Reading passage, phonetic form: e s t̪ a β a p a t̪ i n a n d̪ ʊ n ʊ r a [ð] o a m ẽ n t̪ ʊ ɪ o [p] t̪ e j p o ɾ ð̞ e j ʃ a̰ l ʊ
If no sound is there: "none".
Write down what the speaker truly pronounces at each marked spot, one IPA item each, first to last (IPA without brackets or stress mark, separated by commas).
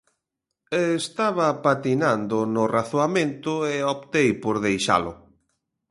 θ, p